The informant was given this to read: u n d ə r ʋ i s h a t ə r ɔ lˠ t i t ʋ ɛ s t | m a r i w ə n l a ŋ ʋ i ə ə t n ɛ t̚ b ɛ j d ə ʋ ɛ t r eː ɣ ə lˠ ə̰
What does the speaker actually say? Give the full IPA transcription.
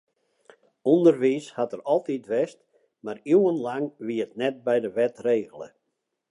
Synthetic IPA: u n d ə r ʋ i s h a t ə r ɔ lˠ t i t ʋ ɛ s t | m a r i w ə n l a ŋ ʋ i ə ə t n ɛ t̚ b ɛ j d ə ʋ ɛ t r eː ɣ ə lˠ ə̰